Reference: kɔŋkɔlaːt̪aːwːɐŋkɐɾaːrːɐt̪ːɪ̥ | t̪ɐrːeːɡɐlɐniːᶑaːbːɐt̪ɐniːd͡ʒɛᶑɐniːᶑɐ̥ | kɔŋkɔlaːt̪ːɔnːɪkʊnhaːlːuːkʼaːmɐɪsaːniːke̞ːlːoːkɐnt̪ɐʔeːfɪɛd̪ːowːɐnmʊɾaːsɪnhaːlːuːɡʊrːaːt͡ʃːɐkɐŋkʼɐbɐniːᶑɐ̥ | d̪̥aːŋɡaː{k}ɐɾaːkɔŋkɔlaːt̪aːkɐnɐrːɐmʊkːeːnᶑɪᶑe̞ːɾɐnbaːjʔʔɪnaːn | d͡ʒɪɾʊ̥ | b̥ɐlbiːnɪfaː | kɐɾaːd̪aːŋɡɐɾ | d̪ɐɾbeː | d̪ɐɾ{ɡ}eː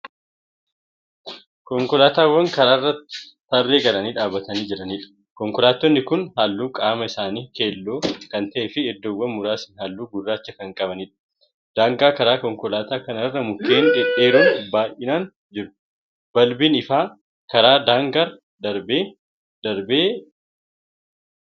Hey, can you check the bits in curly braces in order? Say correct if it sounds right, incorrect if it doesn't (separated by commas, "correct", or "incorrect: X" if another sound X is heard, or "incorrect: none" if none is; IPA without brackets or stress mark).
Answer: correct, incorrect: b